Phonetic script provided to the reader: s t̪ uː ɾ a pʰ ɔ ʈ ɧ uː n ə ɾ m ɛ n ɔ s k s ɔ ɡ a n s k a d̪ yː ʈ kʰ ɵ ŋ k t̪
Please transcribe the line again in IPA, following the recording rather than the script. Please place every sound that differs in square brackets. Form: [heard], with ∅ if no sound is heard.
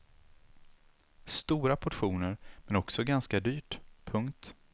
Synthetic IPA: s t̪ uː ɾ a pʰ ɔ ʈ ɧ uː n ə ɾ m ɛ n ɔ [∅] k s ɔ ɡ a n s k a d̪ yː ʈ [pʰ] ɵ ŋ k t̪